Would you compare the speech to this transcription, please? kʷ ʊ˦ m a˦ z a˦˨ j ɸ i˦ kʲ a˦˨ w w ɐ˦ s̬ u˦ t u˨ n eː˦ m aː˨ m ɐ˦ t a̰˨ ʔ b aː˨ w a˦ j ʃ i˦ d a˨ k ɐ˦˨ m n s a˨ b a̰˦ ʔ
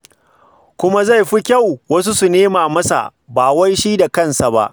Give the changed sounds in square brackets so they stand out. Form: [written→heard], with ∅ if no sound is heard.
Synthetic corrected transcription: kʷ ʊ˦ m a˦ z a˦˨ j ɸ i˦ kʲ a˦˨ w w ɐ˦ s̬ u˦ [t→s] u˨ n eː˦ m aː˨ m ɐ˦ [t→s] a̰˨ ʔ b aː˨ w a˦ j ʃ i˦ d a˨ k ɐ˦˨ [m→∅] n s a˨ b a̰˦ ʔ